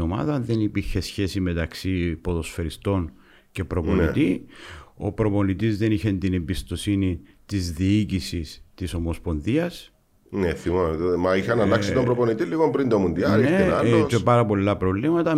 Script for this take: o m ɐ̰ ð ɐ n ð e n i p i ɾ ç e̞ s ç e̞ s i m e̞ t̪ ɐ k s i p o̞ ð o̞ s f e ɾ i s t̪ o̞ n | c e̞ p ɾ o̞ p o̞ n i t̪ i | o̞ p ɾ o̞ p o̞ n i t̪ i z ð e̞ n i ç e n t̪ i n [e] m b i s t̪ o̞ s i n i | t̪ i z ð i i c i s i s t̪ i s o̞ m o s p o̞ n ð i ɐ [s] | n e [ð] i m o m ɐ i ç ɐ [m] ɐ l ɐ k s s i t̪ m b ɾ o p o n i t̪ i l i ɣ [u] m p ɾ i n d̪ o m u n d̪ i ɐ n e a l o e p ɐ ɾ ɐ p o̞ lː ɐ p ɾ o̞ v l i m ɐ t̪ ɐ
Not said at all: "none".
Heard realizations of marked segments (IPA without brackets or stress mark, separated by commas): e, s, θ, n, o